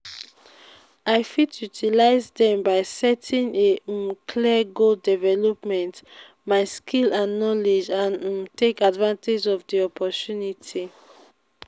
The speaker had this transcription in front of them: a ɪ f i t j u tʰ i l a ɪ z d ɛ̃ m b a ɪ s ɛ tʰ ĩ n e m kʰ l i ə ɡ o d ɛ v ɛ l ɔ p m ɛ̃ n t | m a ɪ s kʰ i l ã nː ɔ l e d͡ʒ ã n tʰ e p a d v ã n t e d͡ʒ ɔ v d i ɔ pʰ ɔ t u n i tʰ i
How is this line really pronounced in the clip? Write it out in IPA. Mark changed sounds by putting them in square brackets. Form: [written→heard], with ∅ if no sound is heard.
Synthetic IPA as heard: a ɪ f i t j u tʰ i l a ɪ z d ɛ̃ m b a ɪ s ɛ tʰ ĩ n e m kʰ l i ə ɡ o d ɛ v ɛ l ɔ p m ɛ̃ n t | m a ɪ s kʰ i l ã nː ɔ l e d͡ʒ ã n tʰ e [p→k] a d v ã n t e d͡ʒ ɔ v d i ɔ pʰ ɔ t u n i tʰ i